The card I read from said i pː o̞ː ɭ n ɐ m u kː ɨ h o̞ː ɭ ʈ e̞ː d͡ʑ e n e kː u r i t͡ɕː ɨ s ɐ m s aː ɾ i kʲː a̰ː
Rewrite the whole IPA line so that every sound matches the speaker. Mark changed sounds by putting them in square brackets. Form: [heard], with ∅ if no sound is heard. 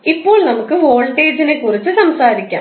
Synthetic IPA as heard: i pː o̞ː ɭ n ɐ m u kː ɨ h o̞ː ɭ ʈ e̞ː d͡ʑ [i] n e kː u r i t͡ɕː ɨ s ɐ m s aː ɾ i kʲː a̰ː